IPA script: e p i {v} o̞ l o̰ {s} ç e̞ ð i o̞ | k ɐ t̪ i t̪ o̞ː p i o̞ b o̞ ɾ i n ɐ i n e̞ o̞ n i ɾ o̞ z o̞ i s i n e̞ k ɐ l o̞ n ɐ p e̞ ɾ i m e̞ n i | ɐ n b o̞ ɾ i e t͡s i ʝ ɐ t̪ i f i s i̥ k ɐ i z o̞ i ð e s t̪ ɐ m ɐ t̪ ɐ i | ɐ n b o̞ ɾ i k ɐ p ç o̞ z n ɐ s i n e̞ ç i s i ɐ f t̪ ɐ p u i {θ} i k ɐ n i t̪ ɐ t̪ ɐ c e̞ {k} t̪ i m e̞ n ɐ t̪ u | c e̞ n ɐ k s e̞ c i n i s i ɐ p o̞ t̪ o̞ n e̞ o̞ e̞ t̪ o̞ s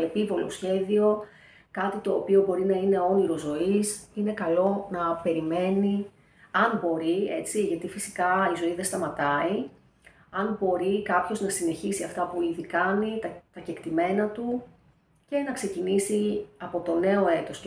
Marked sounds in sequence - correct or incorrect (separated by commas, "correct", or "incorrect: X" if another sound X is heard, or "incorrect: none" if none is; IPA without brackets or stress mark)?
correct, correct, incorrect: ð, correct